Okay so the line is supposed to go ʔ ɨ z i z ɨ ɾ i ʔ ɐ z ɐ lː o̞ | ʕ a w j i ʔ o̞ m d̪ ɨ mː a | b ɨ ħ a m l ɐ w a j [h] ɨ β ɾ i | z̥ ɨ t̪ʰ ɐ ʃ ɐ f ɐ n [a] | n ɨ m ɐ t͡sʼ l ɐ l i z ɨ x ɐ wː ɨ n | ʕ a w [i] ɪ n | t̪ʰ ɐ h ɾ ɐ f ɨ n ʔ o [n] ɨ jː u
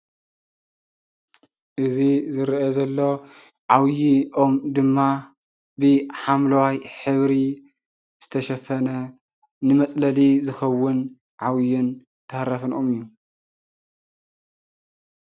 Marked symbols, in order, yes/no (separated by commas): no, no, no, no